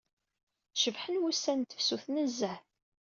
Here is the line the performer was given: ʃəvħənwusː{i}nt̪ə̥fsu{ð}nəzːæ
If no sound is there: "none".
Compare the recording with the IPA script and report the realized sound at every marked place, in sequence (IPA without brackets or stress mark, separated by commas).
æ, θ